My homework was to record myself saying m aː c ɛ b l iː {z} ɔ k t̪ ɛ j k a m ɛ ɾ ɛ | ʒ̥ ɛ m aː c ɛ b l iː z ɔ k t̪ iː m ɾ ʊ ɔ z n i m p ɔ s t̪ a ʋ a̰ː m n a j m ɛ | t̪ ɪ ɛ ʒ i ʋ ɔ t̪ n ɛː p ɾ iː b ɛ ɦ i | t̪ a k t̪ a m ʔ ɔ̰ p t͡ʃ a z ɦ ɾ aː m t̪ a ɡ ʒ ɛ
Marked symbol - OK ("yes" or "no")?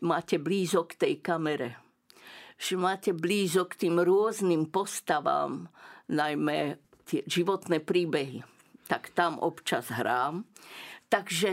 yes